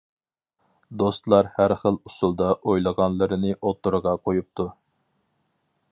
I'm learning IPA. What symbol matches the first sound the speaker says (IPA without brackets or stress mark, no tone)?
d̪